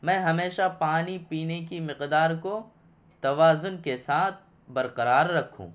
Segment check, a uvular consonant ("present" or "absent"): present